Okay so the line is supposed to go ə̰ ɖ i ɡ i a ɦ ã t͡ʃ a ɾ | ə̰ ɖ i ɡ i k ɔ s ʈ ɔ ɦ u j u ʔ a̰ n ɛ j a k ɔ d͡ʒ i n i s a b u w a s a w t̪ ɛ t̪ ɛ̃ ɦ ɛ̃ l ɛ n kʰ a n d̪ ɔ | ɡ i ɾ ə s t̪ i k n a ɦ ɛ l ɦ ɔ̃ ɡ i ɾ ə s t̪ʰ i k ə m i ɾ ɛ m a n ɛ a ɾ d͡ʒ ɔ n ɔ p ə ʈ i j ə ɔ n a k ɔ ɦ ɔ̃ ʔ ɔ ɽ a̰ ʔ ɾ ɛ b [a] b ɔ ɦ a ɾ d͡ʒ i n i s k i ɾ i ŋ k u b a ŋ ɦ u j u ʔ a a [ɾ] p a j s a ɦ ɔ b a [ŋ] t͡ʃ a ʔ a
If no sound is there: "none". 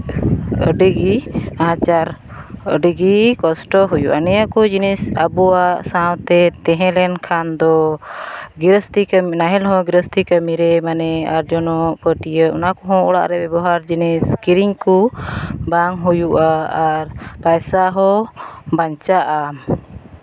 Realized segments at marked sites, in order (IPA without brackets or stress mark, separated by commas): ɛ, ɾ, ɲ